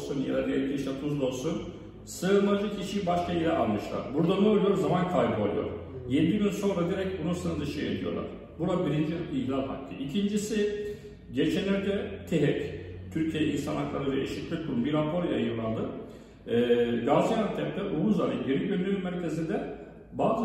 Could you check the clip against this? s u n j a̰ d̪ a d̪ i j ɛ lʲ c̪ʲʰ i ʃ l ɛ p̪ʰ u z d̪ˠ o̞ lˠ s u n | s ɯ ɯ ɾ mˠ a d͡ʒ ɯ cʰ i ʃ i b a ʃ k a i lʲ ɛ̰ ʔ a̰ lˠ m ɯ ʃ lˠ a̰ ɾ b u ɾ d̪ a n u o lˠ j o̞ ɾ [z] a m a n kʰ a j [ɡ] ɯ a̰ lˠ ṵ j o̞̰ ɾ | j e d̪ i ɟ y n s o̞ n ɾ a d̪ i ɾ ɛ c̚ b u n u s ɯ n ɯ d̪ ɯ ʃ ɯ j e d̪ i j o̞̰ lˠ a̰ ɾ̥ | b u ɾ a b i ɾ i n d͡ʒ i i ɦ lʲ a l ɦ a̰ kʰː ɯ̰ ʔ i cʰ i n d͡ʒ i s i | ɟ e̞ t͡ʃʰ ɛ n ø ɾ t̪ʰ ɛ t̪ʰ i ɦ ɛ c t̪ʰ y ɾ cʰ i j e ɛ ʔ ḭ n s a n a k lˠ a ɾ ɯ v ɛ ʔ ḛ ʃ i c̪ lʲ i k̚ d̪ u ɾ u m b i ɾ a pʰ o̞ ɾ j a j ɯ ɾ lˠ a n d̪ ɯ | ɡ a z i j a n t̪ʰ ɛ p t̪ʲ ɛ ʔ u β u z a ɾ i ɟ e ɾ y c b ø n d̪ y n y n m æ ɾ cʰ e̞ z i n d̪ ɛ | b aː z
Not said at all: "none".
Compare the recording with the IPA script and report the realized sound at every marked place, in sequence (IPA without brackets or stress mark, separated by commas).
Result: z, b